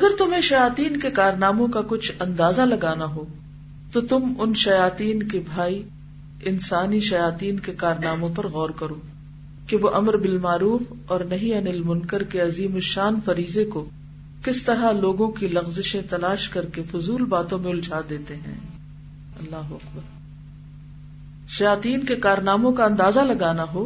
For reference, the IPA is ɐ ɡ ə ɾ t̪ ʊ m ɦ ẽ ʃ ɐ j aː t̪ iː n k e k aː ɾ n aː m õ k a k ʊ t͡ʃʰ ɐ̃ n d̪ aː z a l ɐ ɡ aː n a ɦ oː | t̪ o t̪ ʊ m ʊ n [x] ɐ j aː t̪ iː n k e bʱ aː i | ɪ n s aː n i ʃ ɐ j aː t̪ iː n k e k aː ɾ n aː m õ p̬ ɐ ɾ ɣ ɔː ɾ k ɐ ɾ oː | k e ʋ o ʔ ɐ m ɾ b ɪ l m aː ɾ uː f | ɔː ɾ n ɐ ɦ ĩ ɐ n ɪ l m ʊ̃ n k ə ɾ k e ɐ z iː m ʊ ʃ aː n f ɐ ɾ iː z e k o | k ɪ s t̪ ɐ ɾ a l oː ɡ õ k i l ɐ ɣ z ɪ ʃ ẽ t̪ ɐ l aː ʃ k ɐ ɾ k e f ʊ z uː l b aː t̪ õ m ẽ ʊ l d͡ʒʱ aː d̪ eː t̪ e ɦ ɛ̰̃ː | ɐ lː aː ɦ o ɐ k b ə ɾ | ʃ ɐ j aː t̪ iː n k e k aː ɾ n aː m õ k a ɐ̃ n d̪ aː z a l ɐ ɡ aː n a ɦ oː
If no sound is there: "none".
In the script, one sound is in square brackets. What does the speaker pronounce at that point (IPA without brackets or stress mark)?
ʃ